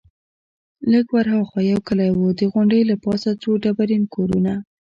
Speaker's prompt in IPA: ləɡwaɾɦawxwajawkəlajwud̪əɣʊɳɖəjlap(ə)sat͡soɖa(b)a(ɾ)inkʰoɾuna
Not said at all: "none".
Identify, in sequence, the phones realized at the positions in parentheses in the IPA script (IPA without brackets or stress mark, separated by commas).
ɑ, b, ɾ